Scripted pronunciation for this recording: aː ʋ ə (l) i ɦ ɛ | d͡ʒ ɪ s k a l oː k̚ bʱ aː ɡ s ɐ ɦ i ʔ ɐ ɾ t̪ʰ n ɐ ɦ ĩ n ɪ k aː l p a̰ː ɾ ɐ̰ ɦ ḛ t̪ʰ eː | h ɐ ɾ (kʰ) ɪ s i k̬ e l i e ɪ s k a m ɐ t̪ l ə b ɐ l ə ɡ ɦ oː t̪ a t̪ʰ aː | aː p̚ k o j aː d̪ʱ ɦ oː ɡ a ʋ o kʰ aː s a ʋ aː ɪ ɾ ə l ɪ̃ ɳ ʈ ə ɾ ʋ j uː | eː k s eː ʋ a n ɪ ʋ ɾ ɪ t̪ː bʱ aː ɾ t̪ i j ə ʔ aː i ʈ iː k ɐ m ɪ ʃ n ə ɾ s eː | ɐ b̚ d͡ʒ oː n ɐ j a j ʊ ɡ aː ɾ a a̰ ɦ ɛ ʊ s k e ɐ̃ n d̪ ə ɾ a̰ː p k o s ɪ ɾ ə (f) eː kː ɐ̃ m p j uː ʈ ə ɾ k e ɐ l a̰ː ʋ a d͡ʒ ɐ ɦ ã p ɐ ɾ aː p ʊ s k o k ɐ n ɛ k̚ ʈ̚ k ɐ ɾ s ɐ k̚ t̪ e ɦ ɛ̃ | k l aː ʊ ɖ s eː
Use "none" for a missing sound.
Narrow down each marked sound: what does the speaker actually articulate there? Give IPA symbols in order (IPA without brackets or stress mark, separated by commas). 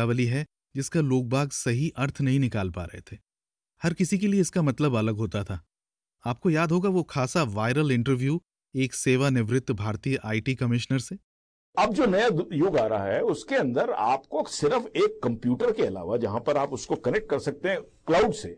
l, k, f